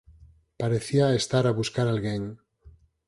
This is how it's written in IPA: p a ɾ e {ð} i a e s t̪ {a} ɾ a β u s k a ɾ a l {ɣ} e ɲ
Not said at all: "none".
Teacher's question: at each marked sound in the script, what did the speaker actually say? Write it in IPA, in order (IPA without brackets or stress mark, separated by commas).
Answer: θ, a, ɣ